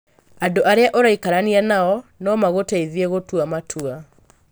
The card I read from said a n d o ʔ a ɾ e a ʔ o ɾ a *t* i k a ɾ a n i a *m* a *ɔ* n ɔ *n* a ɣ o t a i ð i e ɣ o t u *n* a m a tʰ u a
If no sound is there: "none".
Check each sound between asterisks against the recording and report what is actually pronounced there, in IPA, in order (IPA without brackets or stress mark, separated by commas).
none, n, ɔ, m, none